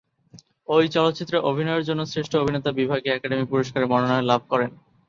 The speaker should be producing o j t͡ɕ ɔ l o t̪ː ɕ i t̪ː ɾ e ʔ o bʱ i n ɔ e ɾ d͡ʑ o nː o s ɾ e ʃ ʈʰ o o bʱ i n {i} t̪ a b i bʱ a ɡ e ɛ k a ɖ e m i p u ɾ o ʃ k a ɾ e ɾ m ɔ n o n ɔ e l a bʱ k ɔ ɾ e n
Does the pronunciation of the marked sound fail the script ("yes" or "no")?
yes